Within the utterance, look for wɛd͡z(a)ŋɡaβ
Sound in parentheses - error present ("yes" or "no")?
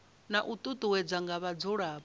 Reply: no